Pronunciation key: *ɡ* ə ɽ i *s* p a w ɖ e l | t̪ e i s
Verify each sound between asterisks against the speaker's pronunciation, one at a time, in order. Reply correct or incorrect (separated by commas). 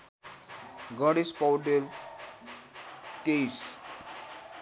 correct, correct